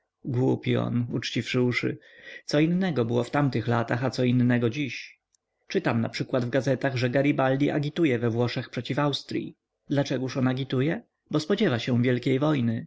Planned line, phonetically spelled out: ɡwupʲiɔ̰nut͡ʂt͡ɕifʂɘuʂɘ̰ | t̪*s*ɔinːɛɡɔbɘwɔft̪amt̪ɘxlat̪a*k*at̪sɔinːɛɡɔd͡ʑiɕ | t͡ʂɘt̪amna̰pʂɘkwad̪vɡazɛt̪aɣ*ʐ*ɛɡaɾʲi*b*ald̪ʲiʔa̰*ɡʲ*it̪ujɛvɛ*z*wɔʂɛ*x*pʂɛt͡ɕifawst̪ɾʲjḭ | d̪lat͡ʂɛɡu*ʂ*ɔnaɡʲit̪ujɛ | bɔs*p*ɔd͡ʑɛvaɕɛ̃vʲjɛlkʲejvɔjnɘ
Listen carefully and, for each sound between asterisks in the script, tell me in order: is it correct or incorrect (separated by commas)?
correct, incorrect, correct, correct, correct, incorrect, correct, correct, correct